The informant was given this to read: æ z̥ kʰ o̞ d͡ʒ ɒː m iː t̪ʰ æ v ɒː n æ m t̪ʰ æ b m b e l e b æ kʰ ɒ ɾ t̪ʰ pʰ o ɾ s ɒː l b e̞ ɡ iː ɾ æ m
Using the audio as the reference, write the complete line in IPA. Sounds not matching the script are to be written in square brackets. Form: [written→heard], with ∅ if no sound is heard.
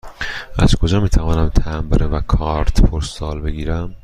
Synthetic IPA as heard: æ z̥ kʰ o̞ d͡ʒ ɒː m iː t̪ʰ æ v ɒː n æ m t̪ʰ æ [b→∅] m b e [l→ɾ] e [b→v] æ kʰ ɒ ɾ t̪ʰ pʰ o ɾ s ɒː l b e̞ ɡ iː ɾ æ m